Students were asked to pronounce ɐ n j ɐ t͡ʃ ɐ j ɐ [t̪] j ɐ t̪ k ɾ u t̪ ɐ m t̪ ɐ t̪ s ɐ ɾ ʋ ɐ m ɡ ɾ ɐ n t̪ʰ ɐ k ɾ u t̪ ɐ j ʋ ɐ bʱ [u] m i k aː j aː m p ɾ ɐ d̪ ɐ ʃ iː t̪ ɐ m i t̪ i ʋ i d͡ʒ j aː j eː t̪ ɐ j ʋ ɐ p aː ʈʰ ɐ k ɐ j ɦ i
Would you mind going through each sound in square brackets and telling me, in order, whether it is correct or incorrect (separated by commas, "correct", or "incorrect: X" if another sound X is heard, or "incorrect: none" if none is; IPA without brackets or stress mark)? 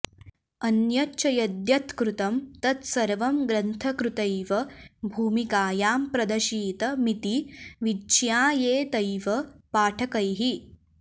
incorrect: d̪, incorrect: uː